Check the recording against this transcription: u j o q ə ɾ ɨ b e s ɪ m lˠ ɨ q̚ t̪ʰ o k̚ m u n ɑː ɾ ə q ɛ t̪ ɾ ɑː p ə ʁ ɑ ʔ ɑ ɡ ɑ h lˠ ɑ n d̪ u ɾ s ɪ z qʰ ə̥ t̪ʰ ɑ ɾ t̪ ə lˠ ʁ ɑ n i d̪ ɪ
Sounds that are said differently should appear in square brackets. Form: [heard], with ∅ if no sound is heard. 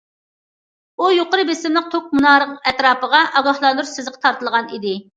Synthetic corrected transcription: u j o q ə ɾ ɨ b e s ɪ m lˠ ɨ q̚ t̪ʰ o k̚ m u n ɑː ɾ ə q ɛ t̪ ɾ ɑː p ə ʁ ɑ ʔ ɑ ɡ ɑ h lˠ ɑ n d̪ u ɾ s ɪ z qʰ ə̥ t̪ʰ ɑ ɾ t̪ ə lˠ ʁ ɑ n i d̪ ɪ